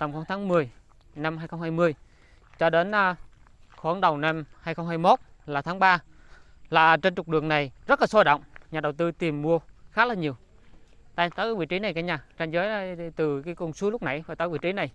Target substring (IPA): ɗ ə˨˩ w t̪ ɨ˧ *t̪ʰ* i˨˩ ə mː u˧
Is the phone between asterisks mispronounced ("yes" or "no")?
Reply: yes